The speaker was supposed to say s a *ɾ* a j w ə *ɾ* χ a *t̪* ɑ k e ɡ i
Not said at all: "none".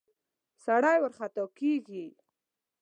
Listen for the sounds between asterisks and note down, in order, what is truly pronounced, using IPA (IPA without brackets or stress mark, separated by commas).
ɽ, ɾ, t̪